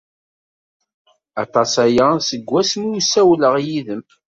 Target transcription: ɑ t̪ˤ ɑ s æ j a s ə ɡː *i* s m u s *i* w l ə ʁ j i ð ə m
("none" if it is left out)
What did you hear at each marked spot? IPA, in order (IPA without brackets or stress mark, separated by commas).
æ, æ